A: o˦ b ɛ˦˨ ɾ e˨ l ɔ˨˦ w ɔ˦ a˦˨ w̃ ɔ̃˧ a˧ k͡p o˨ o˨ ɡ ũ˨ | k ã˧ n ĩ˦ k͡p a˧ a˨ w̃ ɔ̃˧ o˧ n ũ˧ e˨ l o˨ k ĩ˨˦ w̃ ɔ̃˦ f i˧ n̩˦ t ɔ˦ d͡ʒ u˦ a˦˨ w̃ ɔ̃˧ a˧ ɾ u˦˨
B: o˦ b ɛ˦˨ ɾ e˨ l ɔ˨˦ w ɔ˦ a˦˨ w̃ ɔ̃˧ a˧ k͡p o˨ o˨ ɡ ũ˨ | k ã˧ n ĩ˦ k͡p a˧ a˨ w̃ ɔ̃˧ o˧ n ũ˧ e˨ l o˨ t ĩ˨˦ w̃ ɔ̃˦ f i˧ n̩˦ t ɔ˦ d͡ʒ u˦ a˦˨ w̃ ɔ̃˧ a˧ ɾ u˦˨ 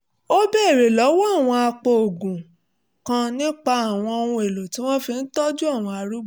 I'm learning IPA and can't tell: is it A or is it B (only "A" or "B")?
B